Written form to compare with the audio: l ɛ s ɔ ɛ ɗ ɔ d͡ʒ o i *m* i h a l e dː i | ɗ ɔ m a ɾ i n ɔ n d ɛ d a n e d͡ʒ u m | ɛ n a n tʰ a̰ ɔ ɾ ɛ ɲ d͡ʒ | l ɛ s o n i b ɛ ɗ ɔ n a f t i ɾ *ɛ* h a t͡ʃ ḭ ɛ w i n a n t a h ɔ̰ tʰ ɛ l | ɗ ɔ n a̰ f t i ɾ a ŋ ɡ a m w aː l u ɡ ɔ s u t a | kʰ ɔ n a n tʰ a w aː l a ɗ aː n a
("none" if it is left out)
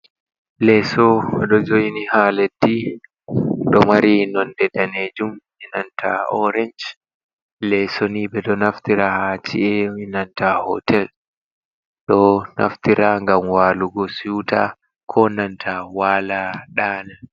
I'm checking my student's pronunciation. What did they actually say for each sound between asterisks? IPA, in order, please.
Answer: n, a

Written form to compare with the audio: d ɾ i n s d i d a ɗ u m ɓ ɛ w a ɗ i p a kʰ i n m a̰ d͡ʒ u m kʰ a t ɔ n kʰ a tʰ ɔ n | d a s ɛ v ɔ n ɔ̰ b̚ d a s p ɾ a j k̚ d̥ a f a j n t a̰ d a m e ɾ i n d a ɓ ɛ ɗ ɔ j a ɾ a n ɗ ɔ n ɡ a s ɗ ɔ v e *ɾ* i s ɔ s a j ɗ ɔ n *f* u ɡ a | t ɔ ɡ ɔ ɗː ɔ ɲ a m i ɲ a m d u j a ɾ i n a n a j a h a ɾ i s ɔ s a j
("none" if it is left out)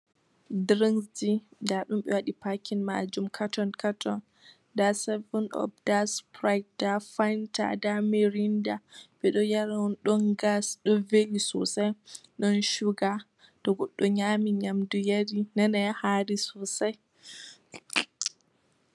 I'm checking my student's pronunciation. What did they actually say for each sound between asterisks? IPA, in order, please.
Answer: l, ʃ

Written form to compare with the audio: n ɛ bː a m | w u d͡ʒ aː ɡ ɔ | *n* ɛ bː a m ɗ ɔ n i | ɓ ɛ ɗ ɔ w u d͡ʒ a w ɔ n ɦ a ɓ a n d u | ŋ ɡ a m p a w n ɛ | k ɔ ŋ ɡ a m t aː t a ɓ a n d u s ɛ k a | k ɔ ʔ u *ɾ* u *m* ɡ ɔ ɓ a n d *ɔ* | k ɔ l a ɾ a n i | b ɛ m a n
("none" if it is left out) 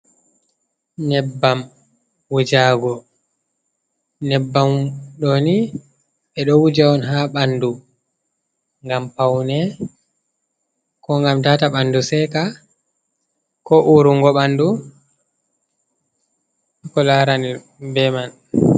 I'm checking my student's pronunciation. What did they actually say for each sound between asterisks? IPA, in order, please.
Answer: n, ɾ, ŋ, u

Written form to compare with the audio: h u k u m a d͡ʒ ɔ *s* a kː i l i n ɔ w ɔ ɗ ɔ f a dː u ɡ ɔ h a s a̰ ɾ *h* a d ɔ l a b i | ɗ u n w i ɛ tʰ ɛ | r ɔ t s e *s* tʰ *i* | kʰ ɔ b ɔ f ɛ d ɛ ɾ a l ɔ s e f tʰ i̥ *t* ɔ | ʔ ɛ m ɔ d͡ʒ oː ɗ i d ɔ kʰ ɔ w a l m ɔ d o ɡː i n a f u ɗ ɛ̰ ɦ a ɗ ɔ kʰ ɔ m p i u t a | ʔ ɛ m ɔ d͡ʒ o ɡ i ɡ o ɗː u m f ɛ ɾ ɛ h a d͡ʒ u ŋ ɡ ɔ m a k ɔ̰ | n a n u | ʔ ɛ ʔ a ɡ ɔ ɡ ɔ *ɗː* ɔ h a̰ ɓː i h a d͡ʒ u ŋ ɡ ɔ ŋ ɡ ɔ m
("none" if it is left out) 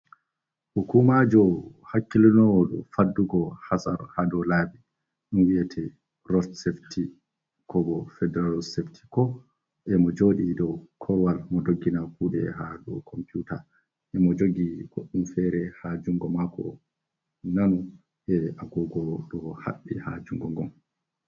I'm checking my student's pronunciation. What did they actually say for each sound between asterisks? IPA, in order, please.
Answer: h, h, f, i, k, ɗ

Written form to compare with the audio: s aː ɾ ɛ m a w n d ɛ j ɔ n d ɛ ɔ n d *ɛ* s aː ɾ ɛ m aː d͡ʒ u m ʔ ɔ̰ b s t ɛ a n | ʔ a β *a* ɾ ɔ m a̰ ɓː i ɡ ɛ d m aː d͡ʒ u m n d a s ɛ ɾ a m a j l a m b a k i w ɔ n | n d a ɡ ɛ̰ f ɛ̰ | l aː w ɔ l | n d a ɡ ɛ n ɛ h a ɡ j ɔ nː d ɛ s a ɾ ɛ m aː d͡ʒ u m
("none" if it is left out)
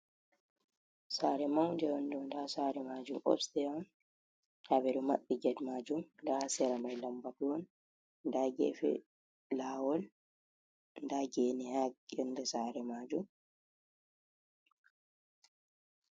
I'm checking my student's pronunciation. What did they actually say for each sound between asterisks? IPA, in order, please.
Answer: a, ɛ

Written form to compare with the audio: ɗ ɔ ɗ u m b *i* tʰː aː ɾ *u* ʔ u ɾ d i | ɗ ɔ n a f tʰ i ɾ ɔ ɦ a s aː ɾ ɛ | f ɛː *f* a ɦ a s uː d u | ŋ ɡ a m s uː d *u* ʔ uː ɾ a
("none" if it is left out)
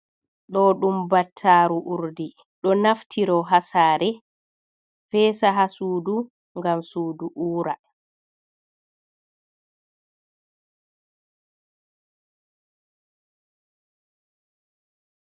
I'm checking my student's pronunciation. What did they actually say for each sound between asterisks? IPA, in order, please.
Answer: a, u, s, u

